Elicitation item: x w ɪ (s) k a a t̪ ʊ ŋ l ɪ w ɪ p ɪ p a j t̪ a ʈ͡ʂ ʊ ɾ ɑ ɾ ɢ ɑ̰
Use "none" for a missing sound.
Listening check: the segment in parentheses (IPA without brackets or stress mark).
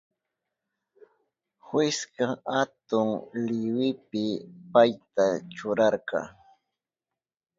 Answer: s